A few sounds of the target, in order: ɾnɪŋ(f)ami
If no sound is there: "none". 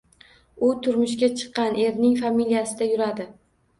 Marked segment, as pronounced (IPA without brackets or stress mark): f